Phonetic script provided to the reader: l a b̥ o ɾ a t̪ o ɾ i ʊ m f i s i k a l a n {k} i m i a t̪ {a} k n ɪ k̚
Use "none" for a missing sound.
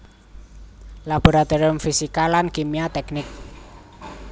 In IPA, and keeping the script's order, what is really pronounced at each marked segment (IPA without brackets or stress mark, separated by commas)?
k, ɛ